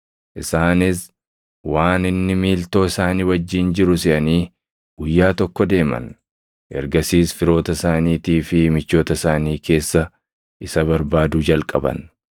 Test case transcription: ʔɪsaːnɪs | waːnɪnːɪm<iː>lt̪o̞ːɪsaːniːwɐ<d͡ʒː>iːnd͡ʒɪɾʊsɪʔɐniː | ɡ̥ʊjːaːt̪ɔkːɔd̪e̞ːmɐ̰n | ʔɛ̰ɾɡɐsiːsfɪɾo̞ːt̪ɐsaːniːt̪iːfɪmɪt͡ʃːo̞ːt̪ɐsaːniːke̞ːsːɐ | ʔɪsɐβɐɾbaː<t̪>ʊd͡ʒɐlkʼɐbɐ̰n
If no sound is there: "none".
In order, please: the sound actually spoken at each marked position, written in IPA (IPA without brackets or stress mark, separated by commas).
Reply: iː, d͡ʒː, d̪